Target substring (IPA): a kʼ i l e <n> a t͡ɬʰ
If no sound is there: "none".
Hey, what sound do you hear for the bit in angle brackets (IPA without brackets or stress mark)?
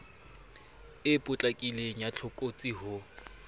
ɲ